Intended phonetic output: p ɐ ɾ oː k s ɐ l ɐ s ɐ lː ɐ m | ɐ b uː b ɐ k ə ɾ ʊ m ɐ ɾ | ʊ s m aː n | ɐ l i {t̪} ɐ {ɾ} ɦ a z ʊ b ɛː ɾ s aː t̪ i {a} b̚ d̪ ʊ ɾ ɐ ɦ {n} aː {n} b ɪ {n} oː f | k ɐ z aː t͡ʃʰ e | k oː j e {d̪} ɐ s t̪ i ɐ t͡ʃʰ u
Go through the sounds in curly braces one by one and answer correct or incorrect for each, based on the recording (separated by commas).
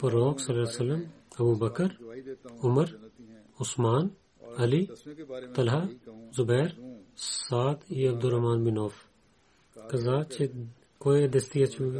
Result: correct, incorrect, incorrect, incorrect, correct, correct, correct